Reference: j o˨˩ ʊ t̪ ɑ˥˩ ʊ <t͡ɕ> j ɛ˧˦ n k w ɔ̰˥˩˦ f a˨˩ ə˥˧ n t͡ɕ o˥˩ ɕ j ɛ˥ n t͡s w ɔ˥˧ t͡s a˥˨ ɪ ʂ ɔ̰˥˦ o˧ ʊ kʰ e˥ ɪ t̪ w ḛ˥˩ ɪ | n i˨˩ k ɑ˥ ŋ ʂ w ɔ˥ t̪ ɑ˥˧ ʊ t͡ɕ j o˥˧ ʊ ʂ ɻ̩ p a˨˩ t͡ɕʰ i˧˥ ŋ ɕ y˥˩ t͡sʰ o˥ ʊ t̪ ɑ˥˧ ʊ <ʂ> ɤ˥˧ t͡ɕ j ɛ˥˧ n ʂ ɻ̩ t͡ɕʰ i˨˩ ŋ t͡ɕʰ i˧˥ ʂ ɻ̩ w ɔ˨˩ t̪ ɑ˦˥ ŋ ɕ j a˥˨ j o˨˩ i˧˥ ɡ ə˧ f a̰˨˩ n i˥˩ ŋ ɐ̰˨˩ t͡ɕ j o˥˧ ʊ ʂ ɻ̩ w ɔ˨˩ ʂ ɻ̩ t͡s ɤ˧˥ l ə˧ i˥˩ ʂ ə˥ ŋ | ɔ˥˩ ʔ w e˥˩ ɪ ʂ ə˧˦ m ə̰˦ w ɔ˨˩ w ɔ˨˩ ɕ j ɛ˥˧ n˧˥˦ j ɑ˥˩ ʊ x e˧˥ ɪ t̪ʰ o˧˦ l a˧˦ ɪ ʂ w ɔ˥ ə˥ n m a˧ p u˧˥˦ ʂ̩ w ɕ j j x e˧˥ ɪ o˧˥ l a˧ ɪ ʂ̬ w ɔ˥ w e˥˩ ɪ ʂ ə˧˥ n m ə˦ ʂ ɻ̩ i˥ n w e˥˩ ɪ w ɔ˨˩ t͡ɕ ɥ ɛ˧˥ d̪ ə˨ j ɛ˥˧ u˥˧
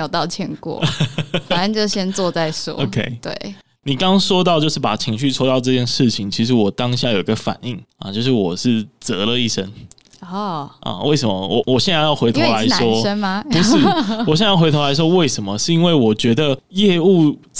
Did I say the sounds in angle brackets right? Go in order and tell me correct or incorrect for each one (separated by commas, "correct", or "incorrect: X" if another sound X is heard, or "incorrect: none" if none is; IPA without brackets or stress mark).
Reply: incorrect: t͡ɕʰ, incorrect: ʈ͡ʂ